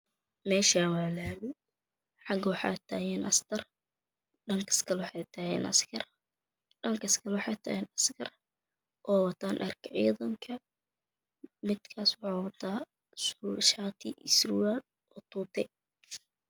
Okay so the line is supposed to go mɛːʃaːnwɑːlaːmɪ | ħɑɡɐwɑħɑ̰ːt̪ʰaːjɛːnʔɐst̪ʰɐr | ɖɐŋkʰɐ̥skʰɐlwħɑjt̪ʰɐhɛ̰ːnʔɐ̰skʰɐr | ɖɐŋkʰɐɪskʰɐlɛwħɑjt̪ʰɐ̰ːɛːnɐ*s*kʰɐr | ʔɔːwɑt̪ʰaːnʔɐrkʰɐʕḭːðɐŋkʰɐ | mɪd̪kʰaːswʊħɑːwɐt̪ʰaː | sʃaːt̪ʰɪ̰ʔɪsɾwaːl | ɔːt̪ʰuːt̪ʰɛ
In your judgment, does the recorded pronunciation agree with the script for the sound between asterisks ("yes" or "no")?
yes